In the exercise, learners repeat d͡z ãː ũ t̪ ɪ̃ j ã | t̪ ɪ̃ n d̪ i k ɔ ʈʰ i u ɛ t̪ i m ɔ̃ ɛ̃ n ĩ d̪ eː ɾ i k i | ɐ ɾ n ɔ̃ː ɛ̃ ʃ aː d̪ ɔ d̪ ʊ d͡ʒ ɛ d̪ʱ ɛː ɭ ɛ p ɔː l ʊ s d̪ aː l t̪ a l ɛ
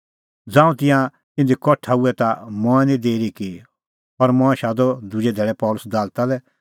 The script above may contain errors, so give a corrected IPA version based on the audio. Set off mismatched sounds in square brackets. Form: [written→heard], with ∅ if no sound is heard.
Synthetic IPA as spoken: d͡z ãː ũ t̪ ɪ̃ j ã | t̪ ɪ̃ n d̪ i k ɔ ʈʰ [i→a] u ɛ t̪ [i→a] m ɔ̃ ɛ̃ n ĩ d̪ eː ɾ i k i | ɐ ɾ [n→m] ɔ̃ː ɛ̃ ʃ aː d̪ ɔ d̪ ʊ d͡ʒ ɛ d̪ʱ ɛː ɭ ɛ p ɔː l ʊ s d̪ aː l t̪ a l ɛ

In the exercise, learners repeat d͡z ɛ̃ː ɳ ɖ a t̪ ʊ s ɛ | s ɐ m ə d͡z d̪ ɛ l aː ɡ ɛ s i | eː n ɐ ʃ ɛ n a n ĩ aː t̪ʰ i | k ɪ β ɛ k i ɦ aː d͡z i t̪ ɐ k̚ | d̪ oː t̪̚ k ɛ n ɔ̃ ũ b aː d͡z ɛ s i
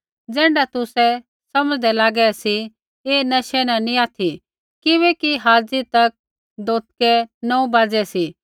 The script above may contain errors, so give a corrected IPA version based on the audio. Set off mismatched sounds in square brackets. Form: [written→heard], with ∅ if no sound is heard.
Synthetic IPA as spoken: d͡z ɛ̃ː ɳ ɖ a t̪ ʊ s ɛ | s ɐ m ə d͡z d̪ ɛ l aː ɡ ɛ s i | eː n ɐ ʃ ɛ n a n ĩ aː t̪ʰ i | k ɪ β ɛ k i ɦ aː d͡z i t̪ ɐ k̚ | d̪ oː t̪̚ k ɛ n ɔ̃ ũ b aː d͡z ɛ s i

